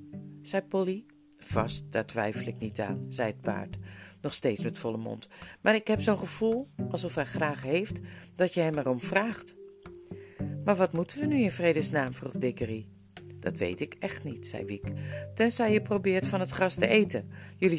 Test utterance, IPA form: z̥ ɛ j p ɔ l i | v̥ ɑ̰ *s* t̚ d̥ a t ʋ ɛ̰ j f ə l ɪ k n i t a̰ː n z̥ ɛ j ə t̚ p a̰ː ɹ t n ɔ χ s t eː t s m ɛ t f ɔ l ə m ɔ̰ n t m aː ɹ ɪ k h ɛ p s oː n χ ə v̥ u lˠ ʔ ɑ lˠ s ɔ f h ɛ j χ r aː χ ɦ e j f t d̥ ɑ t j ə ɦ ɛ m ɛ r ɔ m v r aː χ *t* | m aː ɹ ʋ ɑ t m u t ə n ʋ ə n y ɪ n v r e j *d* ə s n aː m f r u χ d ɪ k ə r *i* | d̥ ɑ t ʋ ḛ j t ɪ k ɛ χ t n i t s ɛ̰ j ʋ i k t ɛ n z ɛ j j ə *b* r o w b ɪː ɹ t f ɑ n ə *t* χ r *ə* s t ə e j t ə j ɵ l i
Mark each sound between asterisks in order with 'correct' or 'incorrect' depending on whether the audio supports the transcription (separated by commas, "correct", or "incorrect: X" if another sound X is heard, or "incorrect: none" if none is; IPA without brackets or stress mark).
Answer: correct, correct, correct, correct, incorrect: p, correct, incorrect: ɑ